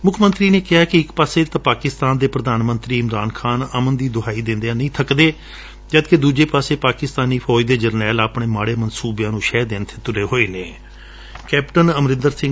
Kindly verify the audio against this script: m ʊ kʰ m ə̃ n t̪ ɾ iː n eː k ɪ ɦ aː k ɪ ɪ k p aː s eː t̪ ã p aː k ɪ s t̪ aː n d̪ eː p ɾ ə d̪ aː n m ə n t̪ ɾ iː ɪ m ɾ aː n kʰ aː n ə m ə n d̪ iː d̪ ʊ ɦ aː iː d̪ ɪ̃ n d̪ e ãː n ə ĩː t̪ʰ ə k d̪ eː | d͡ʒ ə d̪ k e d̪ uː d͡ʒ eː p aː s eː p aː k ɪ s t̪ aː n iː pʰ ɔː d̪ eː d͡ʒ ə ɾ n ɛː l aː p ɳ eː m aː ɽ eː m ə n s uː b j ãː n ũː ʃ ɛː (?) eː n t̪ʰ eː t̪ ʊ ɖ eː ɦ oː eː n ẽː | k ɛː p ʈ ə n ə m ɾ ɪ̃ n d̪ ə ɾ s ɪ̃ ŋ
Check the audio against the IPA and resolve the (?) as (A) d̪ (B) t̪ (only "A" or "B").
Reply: A